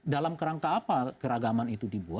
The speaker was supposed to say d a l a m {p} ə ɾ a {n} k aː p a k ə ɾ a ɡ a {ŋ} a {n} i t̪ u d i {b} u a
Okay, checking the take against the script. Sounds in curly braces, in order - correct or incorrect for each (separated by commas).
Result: incorrect, incorrect, incorrect, correct, correct